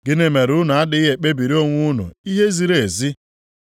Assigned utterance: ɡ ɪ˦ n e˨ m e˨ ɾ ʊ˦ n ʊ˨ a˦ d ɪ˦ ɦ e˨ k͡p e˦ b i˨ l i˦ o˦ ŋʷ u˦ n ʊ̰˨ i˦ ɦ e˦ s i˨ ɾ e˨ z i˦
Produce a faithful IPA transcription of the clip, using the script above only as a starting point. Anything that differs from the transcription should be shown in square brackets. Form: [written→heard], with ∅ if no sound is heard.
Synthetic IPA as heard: ɡ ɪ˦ n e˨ m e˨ ɾ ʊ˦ n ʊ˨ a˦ d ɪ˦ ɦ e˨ k͡p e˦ b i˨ [l→ɾ] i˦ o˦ ŋʷ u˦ n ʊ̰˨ i˦ ɦ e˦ [s→z] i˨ ɾ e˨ z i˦